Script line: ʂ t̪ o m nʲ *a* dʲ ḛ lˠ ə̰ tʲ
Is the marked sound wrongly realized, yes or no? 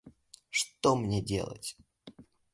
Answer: yes